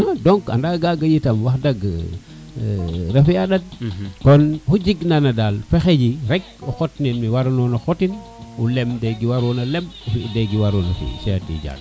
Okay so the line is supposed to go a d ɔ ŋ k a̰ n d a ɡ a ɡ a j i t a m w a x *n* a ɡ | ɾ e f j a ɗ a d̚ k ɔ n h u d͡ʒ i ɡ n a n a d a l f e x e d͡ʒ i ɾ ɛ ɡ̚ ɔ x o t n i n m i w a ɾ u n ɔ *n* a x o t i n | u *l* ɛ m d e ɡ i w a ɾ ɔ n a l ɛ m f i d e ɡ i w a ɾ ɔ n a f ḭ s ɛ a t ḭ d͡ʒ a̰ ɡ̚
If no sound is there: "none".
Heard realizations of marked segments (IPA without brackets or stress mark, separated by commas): d, n, l